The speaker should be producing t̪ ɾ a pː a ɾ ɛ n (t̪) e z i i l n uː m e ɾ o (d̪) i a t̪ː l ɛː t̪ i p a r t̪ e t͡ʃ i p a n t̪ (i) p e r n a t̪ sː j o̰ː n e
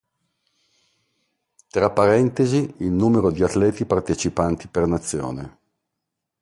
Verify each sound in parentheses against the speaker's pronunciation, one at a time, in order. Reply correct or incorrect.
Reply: correct, correct, correct

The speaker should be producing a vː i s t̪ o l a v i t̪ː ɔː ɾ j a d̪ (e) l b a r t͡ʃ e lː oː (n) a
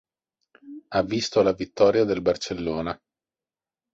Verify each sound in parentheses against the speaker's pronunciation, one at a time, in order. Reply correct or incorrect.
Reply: correct, correct

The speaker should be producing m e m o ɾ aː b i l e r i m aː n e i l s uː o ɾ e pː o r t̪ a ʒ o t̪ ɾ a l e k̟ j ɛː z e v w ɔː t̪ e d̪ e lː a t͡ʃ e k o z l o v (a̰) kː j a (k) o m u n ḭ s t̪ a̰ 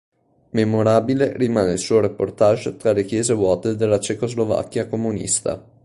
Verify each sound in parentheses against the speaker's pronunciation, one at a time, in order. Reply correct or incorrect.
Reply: correct, correct

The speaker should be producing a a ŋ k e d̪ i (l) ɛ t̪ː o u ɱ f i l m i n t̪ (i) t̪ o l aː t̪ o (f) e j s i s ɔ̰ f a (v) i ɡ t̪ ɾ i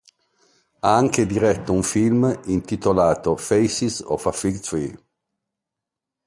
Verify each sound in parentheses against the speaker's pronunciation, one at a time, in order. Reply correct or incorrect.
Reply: incorrect: ɾ, correct, correct, incorrect: f

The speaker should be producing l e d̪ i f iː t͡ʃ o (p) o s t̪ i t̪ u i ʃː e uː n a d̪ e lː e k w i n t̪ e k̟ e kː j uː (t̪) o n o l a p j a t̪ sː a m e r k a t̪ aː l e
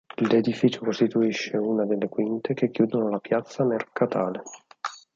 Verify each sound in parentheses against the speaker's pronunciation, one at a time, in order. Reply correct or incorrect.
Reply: incorrect: k, incorrect: d̪

